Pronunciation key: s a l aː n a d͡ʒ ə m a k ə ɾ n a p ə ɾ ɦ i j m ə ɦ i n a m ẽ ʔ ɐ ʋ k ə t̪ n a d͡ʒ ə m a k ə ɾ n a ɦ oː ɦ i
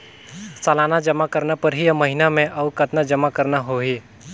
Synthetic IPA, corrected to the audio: s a l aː n a d͡ʒ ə m a k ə ɾ n a p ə ɾ ɦ i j m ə ɦ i n a m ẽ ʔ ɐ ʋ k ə t̪ n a d͡ʒ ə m a k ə ɾ n a ɦ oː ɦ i